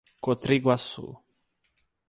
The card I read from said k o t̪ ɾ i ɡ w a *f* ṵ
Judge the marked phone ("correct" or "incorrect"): incorrect